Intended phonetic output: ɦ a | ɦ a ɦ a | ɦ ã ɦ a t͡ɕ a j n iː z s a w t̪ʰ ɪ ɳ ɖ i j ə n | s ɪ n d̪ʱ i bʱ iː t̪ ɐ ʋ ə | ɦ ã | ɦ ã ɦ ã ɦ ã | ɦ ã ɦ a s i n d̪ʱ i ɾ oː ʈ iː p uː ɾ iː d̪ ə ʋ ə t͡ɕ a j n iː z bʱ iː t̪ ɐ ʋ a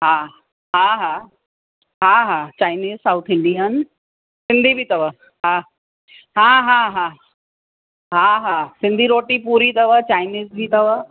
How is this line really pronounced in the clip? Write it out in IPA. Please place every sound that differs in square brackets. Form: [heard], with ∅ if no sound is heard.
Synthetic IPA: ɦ a | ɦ a ɦ a | ɦ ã ɦ a t͡ɕ a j n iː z s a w t̪ʰ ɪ ɳ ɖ i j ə n | s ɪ n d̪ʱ i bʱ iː t̪ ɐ ʋ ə | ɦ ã | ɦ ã ɦ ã ɦ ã | ɦ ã ɦ a s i n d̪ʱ i ɾ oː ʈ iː p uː ɾ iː [t̪] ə ʋ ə t͡ɕ a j n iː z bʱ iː t̪ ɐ ʋ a